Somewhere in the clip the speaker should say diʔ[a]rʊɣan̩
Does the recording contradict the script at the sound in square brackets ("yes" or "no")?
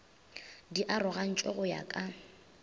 no